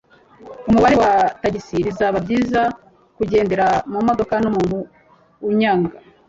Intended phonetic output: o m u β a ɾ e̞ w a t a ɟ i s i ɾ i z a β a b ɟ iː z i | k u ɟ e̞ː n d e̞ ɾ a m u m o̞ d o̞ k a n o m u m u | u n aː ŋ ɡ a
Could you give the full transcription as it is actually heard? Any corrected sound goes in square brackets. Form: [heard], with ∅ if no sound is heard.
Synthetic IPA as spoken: [u] m u β a ɾ e̞ w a t a ɟ i s i ɾ i z a β a b ɟ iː z [a] | k u ɟ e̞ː n d e̞ ɾ a m u m o̞ d o̞ k a n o m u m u | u [ɲ] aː ŋ ɡ a